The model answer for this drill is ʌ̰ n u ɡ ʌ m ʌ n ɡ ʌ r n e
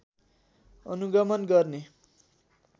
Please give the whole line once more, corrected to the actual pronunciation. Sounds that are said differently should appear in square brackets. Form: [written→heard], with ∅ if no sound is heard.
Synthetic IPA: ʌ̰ n u ɡ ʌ m ʌ n ɡ ʌ r n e